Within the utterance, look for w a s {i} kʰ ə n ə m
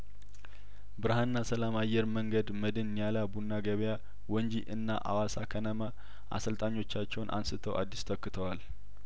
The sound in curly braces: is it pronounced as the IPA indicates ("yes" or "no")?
no